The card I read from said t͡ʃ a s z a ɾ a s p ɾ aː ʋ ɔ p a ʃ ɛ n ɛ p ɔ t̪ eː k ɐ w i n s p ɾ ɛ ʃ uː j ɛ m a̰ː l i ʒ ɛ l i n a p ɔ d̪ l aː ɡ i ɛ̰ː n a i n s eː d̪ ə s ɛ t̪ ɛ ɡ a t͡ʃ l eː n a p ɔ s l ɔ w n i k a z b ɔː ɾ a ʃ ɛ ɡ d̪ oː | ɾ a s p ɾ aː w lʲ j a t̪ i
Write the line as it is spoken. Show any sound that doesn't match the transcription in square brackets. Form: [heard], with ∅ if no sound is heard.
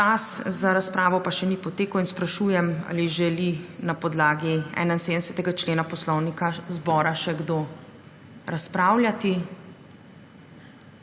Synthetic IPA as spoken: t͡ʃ a s z a ɾ a s p ɾ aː ʋ ɔ p a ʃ ɛ n [i] p ɔ t̪ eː k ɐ w i n s p ɾ [a] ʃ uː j ɛ m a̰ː l i ʒ ɛ l i n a p ɔ d̪ l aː ɡ i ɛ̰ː n a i n s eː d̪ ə s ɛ t̪ ɛ ɡ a t͡ʃ l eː n a p ɔ s l ɔ w n i k a z b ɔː ɾ a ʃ ɛ ɡ d̪ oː | ɾ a s p ɾ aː w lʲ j a t̪ i